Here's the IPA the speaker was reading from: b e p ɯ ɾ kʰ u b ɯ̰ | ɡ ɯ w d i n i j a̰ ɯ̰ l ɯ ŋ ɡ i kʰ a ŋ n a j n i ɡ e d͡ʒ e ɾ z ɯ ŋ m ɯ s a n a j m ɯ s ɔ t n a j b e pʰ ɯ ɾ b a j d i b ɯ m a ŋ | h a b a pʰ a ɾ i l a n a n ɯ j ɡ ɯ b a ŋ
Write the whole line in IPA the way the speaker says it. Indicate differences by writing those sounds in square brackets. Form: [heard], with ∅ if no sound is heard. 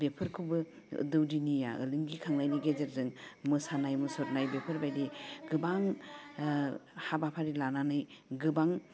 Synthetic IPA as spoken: b e [pʰ] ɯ ɾ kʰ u b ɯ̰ | [d] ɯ w d i n i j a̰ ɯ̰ l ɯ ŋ ɡ i kʰ a ŋ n a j n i ɡ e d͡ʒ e ɾ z ɯ ŋ m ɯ s a n a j m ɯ s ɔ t n a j b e pʰ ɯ ɾ b a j d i [ɡ] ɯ [b] a ŋ | h a b a pʰ a ɾ i l a n a n ɯ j ɡ ɯ b a ŋ